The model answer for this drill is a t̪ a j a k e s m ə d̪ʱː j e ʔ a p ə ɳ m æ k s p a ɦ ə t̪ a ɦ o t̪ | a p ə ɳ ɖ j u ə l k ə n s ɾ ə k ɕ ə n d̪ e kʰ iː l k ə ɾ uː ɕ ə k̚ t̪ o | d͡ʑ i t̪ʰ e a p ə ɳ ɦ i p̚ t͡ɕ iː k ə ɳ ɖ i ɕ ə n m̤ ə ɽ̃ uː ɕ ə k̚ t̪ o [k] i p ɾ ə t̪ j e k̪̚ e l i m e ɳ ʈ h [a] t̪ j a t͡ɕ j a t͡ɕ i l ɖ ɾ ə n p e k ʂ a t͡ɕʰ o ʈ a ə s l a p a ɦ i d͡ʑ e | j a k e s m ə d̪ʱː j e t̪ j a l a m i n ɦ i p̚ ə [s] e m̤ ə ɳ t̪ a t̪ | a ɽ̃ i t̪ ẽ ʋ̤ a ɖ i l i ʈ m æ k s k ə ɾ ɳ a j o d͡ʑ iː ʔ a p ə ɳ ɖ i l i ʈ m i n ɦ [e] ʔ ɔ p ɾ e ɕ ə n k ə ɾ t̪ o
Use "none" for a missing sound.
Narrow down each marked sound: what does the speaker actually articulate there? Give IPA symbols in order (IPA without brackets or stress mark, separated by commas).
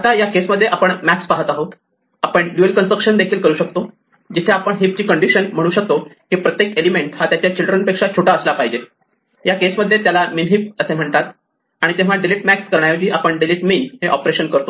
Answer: k, a, s, e